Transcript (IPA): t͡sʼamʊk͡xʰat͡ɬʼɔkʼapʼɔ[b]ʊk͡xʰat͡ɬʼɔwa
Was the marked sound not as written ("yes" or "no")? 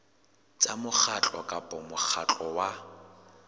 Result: yes